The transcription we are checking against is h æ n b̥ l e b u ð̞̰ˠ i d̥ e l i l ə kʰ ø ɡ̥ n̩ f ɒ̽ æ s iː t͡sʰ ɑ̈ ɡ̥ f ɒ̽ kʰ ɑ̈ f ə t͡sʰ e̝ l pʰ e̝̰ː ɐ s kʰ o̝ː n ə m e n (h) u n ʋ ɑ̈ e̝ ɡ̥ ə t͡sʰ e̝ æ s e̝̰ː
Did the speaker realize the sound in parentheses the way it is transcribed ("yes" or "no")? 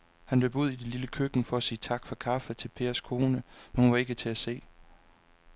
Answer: yes